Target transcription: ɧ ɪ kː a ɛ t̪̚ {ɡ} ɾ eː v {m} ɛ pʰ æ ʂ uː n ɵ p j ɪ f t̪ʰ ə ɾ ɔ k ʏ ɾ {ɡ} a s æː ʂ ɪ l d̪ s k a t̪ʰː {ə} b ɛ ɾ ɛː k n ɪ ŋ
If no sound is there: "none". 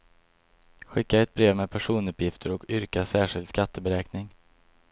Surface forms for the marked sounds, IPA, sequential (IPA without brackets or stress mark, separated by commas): b, m, k, ə